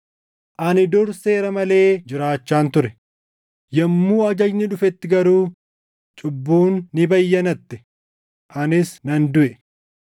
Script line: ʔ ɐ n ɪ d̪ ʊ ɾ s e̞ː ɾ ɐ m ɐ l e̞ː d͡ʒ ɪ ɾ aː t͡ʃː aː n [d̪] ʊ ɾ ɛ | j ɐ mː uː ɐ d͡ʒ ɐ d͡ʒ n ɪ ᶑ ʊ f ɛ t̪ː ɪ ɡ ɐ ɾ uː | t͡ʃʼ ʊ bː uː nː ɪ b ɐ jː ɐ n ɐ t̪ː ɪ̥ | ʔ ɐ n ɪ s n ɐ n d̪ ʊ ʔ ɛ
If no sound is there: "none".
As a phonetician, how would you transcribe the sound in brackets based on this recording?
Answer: t̪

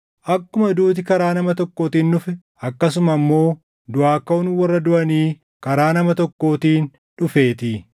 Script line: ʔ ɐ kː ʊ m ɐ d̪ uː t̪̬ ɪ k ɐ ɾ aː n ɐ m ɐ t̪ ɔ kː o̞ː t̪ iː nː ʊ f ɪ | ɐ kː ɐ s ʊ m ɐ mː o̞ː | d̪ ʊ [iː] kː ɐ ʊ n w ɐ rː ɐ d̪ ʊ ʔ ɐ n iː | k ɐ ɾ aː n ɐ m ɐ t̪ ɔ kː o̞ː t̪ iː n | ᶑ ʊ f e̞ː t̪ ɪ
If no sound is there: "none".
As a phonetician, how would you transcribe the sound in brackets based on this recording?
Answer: aː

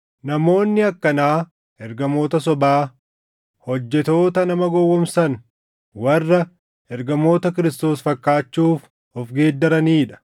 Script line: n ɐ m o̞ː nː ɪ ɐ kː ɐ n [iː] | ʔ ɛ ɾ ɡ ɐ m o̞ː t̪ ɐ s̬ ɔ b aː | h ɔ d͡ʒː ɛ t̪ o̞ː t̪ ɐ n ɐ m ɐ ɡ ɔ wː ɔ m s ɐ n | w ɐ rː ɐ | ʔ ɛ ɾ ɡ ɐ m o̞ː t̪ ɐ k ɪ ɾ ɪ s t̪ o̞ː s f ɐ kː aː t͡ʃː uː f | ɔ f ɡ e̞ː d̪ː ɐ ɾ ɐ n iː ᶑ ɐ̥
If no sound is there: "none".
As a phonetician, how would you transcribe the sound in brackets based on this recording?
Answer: aː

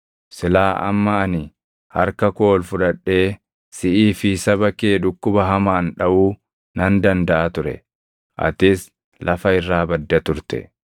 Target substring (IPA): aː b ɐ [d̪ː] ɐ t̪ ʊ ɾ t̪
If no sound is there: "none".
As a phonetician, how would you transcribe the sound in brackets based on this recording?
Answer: d̪ː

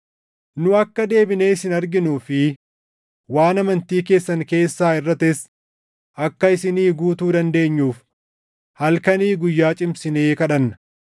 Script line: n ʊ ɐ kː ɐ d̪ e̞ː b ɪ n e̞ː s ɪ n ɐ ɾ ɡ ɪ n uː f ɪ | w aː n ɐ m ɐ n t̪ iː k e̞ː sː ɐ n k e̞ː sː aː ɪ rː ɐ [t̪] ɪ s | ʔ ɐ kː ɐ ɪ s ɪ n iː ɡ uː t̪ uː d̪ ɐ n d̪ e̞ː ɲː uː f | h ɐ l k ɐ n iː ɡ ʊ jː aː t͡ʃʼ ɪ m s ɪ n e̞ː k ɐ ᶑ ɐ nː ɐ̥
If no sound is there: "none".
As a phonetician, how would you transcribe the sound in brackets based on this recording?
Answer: t̪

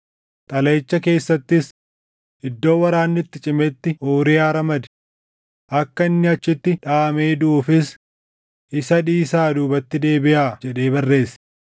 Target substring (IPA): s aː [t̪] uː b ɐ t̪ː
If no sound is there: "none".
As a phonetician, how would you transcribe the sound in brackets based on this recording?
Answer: d̪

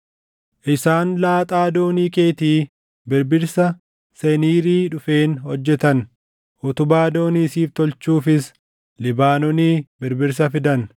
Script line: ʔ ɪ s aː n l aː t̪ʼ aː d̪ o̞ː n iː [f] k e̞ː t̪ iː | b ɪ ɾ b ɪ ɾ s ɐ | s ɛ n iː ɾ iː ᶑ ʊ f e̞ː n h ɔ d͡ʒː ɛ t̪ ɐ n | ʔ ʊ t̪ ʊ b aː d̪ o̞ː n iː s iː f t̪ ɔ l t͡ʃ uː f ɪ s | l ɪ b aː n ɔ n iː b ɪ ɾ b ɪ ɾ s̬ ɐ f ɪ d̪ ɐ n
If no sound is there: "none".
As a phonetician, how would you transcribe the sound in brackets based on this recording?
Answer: none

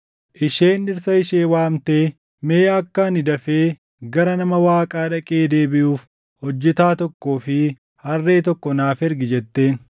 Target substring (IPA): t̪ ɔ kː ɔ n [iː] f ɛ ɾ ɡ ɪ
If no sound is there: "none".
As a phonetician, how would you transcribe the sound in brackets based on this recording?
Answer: aː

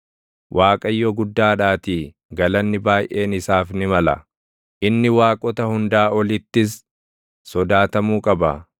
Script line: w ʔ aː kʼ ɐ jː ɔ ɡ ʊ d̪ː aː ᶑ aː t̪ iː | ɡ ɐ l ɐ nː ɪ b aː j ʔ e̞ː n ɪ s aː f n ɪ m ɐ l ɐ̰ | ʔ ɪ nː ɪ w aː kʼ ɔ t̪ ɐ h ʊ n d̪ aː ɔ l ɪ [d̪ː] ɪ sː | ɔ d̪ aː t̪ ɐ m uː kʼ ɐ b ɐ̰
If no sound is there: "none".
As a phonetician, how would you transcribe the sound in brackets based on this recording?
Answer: t̪ː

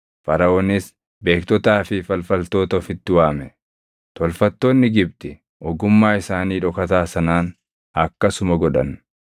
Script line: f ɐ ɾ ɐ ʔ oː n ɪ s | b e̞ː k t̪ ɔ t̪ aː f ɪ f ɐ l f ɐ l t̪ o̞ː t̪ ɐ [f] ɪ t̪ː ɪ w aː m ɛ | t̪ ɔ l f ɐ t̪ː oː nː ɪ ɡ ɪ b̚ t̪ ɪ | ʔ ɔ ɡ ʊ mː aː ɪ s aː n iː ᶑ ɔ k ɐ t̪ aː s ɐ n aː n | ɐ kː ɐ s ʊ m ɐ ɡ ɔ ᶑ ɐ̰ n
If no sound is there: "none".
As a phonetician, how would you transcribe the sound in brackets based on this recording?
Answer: f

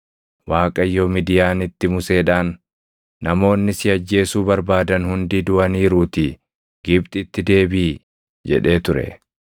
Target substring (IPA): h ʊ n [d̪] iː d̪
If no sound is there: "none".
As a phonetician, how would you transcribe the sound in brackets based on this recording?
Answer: d̪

